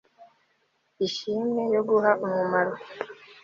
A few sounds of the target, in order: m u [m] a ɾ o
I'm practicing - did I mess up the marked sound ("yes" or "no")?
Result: no